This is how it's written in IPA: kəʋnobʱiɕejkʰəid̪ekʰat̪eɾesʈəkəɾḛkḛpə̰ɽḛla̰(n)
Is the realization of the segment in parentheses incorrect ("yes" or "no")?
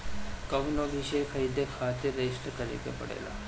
yes